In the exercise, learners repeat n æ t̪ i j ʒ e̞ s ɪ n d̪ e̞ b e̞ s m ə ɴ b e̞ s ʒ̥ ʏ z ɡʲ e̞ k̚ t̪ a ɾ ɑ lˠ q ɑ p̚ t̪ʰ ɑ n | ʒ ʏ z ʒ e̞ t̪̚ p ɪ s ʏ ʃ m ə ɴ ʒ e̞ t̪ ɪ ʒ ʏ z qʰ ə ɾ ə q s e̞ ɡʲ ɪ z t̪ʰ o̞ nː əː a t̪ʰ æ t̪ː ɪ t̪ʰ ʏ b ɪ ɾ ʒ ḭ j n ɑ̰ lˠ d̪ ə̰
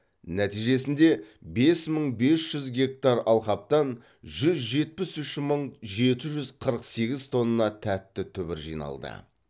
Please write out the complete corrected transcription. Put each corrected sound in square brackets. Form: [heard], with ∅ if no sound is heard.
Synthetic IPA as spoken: n æ t̪ i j ʒ e̞ s ɪ n d̪ e̞ b e̞ s m ə ɴ b e̞ s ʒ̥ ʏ z ɡʲ e̞ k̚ t̪ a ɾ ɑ lˠ q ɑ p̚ [t̪] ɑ n | ʒ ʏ z ʒ e̞ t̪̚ p ɪ s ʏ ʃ m ə ɴ ʒ e̞ t̪ ɪ ʒ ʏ z qʰ ə ɾ ə q s e̞ ɡʲ ɪ z t̪ʰ o̞ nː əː [ɑ] t̪ʰ æ t̪ː ɪ t̪ʰ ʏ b ɪ ɾ ʒ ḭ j n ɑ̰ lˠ d̪ ə̰